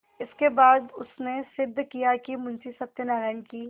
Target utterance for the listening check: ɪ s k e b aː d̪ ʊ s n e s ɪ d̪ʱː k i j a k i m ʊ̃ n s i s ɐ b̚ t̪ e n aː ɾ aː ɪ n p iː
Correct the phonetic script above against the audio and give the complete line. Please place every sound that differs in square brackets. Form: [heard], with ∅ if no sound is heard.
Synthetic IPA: ɪ s k e b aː d̪ ʊ s n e s ɪ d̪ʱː k i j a k i m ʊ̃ n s i s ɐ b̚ t̪ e n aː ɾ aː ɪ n [k] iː